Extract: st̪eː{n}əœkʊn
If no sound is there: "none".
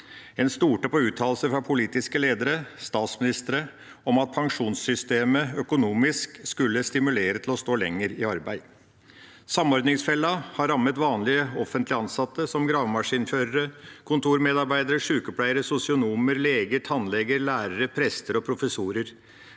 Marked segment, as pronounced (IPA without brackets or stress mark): m